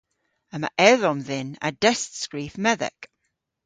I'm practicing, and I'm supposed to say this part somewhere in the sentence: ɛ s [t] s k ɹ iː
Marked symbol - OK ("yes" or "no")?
yes